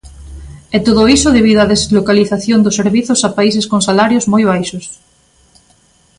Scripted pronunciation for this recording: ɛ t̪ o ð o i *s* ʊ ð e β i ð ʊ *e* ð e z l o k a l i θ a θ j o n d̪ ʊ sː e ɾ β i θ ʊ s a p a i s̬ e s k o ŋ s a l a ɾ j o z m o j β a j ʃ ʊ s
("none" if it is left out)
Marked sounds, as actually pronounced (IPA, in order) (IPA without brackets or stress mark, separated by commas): s, a